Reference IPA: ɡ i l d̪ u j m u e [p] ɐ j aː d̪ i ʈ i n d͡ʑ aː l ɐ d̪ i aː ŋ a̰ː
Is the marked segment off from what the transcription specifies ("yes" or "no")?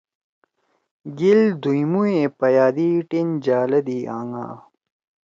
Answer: no